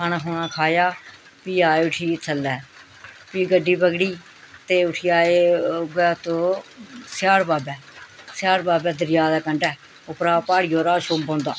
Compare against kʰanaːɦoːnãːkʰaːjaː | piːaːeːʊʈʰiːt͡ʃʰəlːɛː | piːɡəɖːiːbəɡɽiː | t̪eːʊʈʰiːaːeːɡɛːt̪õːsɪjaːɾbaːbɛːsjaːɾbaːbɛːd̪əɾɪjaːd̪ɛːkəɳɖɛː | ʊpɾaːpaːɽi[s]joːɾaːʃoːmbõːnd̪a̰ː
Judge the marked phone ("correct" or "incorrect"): incorrect